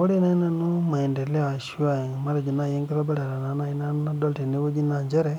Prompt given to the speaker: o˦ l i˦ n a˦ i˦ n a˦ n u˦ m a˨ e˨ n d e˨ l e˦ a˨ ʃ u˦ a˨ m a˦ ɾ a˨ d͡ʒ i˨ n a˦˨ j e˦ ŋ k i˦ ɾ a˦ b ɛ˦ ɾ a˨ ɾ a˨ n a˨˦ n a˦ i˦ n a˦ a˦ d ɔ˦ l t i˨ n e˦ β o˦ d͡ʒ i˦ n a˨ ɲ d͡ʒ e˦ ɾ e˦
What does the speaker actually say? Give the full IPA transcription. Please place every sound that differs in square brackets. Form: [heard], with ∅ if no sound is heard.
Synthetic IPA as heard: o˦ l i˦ n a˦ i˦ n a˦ n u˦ m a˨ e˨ n d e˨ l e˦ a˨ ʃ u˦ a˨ m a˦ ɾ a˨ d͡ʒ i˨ n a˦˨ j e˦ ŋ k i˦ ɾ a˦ b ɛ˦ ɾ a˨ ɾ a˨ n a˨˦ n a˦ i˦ n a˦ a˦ d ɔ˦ l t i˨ n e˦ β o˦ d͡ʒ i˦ n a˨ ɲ d͡ʒ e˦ ɾ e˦

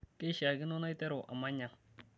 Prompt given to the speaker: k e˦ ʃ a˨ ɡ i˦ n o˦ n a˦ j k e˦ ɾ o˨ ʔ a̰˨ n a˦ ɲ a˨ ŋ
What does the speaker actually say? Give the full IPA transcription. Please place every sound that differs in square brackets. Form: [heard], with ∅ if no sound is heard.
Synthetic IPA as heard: k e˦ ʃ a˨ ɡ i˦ n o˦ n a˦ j [t] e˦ ɾ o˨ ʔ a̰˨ [m] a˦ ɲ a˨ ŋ

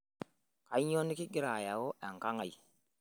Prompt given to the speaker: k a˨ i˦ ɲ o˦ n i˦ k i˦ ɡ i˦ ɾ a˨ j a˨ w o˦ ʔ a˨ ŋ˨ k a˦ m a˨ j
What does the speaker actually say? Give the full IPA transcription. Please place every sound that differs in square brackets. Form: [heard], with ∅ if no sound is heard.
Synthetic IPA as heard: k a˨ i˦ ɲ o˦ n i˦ k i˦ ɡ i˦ ɾ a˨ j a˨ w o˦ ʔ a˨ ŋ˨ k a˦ [ŋ] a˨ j

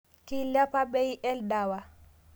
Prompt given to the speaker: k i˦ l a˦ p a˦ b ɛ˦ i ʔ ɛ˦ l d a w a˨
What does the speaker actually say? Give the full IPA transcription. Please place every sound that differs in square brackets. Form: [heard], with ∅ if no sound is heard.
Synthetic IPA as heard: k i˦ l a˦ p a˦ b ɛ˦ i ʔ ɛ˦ l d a w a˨

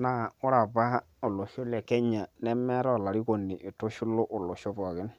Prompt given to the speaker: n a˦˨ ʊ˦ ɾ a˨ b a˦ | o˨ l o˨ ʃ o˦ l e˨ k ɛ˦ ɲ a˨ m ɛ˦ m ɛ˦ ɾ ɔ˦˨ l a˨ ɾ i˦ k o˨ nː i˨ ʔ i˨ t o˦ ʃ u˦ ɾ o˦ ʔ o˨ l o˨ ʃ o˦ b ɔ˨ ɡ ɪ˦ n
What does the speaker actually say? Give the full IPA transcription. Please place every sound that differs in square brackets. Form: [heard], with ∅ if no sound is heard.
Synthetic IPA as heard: n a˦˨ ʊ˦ ɾ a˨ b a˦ | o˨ l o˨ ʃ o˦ l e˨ k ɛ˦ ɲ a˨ [n] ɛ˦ m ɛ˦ ɾ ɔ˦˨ l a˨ ɾ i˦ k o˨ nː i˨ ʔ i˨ t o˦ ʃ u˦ [l] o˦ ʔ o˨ l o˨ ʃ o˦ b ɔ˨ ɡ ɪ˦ n

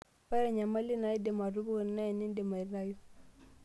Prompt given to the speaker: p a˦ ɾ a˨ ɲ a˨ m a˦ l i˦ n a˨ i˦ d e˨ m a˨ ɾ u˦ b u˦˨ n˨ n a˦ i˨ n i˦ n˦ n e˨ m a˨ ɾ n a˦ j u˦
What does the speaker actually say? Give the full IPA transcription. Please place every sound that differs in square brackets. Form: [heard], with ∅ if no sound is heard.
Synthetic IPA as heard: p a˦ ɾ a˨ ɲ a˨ m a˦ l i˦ n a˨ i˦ d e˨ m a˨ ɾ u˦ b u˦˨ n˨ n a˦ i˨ n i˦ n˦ [d] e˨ m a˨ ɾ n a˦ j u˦

